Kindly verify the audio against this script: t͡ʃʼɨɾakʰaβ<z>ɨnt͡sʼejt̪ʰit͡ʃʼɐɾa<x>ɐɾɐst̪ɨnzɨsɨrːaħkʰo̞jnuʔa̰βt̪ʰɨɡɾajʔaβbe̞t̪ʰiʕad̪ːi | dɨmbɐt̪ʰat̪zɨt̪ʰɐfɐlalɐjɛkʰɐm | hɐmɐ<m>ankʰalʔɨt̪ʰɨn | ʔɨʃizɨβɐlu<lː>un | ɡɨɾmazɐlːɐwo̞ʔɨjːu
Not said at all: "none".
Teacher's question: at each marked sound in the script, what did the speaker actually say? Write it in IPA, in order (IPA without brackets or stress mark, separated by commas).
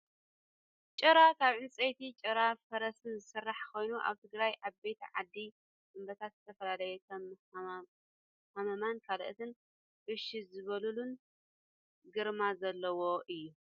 ʕ, f, m, l